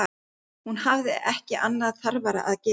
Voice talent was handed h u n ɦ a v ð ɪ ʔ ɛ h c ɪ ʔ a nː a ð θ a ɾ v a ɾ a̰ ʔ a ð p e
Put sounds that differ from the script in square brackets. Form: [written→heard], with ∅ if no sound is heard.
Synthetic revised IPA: h u n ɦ a v ð ɪ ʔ ɛ h c ɪ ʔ a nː a ð θ a ɾ v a ɾ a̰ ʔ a ð [p→c] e